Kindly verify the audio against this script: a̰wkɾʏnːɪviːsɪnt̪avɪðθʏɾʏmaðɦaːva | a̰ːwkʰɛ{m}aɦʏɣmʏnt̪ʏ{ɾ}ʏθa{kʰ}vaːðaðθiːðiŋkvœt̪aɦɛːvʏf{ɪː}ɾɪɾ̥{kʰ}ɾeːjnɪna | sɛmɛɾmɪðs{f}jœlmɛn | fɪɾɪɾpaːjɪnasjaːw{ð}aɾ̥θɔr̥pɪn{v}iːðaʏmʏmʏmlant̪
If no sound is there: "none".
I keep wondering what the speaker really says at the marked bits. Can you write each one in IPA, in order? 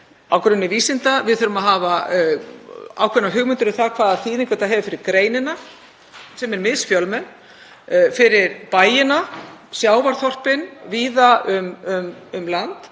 n, ɾ, kʰ, ɪ, k, f, v, v

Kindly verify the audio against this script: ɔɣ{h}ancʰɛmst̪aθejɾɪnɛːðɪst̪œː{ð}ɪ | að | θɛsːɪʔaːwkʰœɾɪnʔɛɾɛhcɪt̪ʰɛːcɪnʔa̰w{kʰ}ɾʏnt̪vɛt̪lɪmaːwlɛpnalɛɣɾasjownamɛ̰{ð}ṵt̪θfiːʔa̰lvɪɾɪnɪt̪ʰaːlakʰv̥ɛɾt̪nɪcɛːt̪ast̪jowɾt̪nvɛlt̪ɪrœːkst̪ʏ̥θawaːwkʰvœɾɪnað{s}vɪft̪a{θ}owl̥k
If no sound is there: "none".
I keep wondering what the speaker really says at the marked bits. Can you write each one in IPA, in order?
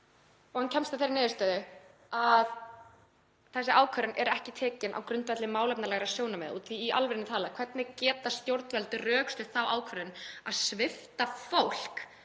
h, ð, k, ð, s, f

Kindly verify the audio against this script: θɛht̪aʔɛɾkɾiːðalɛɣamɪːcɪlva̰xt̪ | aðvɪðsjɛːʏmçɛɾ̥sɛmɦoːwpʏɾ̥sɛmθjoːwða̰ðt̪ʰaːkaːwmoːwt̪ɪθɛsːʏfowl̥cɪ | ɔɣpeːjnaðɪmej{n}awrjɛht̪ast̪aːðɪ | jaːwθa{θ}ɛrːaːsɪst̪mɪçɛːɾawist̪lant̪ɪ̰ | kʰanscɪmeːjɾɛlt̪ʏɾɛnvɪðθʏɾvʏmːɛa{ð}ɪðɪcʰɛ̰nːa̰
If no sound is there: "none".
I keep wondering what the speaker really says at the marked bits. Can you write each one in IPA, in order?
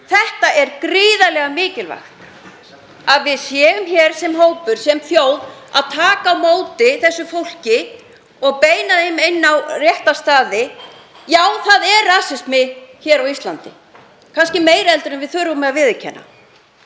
nː, ð, v

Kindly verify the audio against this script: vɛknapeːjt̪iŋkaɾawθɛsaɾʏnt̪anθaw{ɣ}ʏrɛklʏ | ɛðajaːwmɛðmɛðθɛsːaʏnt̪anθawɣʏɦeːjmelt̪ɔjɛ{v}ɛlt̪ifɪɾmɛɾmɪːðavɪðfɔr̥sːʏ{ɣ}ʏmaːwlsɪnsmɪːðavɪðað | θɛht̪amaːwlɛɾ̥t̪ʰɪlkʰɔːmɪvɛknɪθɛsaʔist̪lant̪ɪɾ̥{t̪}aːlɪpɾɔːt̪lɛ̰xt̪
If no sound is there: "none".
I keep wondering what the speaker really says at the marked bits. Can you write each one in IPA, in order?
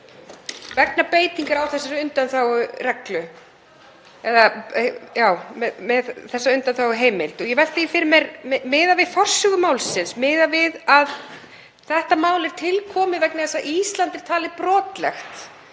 ɣ, v, ɣ, t̪ʰ

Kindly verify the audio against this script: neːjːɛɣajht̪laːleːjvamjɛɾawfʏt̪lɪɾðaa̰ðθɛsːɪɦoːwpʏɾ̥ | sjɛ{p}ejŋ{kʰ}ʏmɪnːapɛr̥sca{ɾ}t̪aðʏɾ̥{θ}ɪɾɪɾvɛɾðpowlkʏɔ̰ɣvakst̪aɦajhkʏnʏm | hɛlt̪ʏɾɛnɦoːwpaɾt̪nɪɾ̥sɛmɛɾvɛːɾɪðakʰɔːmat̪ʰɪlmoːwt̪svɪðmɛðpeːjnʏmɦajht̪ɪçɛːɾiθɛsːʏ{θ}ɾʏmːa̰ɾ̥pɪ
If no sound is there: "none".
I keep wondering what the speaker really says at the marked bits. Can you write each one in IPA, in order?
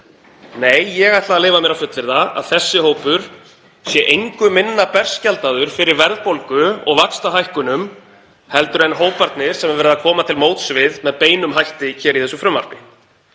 ʔ, k, l, f, f

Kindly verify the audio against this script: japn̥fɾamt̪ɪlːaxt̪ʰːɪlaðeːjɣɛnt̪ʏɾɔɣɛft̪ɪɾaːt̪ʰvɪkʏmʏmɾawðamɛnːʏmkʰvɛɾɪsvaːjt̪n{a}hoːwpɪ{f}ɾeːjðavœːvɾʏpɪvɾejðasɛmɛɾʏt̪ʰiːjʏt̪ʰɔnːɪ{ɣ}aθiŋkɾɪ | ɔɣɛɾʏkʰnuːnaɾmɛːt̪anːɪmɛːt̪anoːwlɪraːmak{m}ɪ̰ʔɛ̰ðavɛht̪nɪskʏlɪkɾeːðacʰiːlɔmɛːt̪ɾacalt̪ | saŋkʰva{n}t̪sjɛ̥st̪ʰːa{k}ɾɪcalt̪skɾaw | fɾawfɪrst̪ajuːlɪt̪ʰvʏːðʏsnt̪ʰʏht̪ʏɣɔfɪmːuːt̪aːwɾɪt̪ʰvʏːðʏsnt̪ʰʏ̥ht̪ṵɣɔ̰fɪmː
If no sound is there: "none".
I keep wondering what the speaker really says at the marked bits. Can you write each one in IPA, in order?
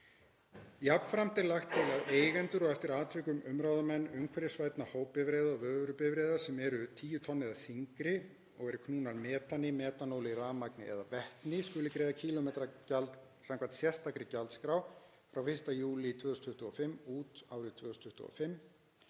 a, v, ð, n, n, k

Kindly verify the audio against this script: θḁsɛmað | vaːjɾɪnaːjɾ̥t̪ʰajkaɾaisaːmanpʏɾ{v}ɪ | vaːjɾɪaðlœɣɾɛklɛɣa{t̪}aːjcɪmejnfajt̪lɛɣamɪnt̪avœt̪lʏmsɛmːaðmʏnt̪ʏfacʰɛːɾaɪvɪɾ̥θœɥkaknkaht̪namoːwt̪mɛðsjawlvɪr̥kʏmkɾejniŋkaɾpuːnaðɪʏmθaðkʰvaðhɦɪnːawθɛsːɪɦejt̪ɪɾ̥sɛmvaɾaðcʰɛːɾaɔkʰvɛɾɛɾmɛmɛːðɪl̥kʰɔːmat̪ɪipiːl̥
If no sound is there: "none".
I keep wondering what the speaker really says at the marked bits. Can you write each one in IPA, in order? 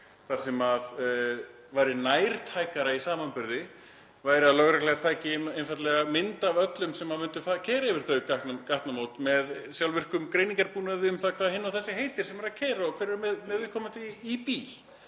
ð, t̪ʰ

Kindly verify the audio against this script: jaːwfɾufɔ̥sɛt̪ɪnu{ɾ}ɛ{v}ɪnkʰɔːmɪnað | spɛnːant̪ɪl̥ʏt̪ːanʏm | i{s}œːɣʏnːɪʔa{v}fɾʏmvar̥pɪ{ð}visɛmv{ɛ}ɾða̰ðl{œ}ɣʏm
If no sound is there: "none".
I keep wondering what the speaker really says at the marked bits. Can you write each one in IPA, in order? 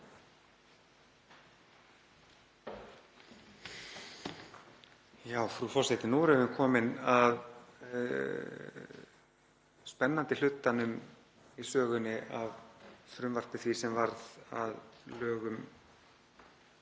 ɾ, v, s, v, θ, a, œː

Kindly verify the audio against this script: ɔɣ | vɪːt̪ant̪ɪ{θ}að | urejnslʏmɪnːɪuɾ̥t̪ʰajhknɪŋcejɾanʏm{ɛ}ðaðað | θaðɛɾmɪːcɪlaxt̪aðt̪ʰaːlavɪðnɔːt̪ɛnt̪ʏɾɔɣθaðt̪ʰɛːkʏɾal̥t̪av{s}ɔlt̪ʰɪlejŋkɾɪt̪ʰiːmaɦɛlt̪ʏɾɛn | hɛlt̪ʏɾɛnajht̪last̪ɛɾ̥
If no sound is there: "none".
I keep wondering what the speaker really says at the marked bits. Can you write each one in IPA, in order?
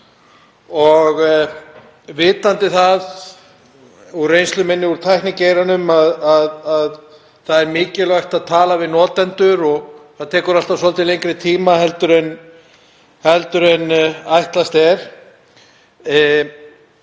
θ, a, s

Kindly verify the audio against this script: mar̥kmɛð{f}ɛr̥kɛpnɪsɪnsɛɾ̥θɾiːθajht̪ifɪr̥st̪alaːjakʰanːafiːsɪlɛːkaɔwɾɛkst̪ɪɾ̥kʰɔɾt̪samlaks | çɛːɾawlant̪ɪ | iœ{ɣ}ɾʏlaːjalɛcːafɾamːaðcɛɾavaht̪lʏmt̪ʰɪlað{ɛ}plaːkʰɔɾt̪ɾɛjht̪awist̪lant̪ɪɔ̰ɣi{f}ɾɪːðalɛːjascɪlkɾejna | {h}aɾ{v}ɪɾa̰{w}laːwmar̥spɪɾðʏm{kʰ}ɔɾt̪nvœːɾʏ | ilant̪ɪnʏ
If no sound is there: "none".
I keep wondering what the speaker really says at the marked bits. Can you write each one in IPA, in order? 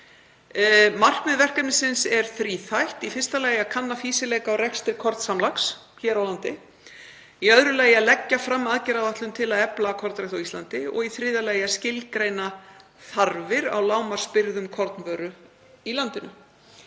v, ð, ɛ, θ, θ, v, w, kʰ

